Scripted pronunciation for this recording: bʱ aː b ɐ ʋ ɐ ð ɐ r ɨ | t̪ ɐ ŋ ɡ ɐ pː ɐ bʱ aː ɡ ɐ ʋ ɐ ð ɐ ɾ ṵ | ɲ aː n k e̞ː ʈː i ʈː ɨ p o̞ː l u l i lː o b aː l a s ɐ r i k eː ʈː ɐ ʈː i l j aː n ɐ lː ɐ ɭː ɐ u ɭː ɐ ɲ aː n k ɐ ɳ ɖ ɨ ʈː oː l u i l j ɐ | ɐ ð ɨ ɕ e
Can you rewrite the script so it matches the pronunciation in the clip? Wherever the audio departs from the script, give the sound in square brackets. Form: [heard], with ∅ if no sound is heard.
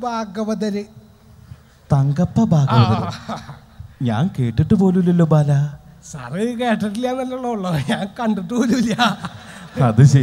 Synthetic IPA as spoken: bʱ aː [ɡ] ɐ ʋ ɐ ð ɐ [ɾ] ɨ | t̪ ɐ ŋ ɡ ɐ pː ɐ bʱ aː ɡ ɐ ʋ ɐ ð ɐ ɾ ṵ | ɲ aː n k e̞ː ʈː i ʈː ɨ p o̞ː l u l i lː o b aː l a s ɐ r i k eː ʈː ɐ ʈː i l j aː n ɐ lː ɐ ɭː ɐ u ɭː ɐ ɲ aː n k ɐ ɳ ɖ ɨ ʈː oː l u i l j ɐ | ɐ ð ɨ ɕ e

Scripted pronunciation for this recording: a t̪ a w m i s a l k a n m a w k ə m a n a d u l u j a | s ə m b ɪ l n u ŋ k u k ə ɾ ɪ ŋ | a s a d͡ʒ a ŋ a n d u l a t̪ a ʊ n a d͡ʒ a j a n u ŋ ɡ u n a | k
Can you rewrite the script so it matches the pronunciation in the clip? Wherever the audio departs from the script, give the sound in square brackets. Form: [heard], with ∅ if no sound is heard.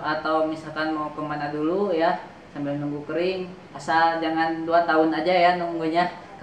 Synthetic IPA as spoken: a t̪ a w m i s a l k a n m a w k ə m a n a d u l u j a | s [a] m b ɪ l n u ŋ [ɡ] u k ə ɾ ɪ ŋ | a s a d͡ʒ a ŋ a n d u [∅] a t̪ a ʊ n a d͡ʒ a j a n u ŋ ɡ u [ɲ] a | k

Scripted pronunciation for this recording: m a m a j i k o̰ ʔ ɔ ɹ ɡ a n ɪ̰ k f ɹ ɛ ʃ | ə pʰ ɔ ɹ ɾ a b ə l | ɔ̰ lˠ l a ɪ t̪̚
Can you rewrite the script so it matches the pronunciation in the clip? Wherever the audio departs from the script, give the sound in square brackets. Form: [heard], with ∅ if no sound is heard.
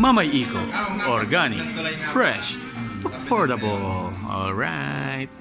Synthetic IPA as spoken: m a m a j i k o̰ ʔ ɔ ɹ ɡ a n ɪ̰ k f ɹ ɛ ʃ | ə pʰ ɔ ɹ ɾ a b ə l | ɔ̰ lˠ [ɹ] a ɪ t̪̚

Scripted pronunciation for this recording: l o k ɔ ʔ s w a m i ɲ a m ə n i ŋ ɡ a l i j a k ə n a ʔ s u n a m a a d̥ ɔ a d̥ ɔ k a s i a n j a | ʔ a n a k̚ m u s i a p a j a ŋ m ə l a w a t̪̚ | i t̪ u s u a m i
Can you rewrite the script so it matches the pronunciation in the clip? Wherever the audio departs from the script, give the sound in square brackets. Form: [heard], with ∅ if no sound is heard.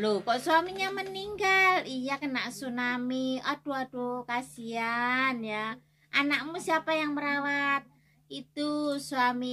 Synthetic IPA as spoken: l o k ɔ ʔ s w a m i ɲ a m ə n i ŋ ɡ a l i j a k ə n a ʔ s u n a m [i] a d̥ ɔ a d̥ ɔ k a s i a n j a | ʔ a n a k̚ m u s i a p a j a ŋ m ə [ɾ] a w a t̪̚ | i t̪ u s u a m i

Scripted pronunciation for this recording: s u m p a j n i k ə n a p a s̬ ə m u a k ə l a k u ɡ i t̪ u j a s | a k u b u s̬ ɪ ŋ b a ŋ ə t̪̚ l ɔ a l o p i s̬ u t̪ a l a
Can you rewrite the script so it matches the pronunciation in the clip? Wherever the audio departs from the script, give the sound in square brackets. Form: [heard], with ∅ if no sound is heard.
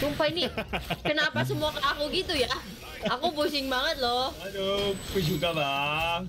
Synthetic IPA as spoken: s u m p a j n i k ə n a p a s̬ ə m u a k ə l a k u ɡ i t̪ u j a [∅] | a k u b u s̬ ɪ ŋ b a ŋ ə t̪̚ l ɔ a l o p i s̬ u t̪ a l a

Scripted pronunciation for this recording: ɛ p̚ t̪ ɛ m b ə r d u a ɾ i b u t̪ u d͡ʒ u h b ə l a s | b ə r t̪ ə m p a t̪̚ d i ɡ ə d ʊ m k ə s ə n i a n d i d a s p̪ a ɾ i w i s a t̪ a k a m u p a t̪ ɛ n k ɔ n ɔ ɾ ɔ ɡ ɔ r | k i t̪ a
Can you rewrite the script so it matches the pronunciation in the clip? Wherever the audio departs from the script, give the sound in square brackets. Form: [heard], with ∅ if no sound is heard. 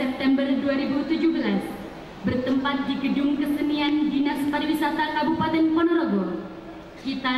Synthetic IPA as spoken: ɛ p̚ t̪ ɛ m b ə r d u a ɾ i b u t̪ u d͡ʒ u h b ə l a s | b ə r t̪ ə m p a t̪̚ d i ɡ ə d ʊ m k ə s ə n i a n d i [n] a s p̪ a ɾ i w i s a t̪ a k a [b] u p a t̪ ɛ n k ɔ n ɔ ɾ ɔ ɡ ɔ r | k i t̪ a

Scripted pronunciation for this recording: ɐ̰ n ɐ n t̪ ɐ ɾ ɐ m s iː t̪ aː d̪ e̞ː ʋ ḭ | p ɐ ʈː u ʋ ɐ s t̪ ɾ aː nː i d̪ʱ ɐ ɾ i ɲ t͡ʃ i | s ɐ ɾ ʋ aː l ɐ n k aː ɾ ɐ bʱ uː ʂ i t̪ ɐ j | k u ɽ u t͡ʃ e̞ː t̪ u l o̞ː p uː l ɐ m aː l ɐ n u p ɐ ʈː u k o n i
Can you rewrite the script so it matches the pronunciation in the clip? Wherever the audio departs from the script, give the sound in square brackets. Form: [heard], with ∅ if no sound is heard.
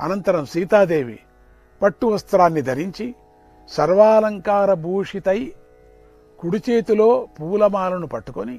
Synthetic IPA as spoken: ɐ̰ n ɐ n t̪ ɐ ɾ ɐ m s iː t̪ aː d̪ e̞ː ʋ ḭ | p ɐ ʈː u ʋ ɐ s t̪ ɾ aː nː i d̪ʱ ɐ ɾ i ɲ t͡ʃ i | s ɐ ɾ ʋ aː l ɐ [ŋ] k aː ɾ ɐ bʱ uː ʂ i t̪ ɐ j | k u ɽ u t͡ʃ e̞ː t̪ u l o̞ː p uː l ɐ m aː l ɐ n u p ɐ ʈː u k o n i

